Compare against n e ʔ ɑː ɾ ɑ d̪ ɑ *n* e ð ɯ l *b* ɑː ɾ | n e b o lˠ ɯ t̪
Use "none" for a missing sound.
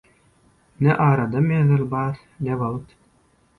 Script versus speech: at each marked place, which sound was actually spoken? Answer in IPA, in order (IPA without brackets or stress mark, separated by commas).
m, b